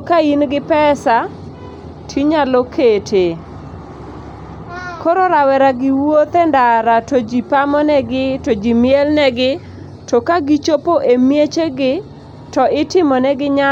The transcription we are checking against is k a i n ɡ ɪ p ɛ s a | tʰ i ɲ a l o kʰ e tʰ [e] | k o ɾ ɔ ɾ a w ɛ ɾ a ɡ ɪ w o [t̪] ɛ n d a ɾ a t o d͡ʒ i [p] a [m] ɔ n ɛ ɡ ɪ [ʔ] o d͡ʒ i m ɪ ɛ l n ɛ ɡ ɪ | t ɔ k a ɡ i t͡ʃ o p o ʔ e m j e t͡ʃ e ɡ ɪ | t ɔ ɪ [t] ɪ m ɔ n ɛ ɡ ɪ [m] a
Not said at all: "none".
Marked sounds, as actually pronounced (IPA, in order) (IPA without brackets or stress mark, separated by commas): e, t̪, p, m, t, t, ɲ